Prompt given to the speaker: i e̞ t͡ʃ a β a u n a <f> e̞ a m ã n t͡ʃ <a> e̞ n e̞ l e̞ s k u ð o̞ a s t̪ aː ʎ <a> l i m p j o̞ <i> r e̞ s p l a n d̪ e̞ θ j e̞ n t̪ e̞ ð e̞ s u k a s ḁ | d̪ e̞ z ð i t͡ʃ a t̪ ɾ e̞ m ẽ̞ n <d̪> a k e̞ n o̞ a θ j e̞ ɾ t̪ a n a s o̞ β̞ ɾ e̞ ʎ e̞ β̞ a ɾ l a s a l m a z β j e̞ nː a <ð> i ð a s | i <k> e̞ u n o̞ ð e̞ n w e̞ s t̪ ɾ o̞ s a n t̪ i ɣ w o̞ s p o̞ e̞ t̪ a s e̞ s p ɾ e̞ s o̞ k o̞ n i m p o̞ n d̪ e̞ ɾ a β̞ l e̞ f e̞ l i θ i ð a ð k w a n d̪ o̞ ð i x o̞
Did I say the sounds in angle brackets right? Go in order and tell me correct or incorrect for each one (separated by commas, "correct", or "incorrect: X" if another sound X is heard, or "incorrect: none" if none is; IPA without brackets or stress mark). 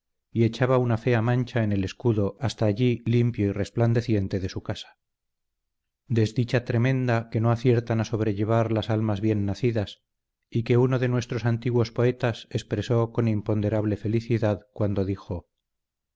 correct, correct, incorrect: i, correct, correct, incorrect: θ, correct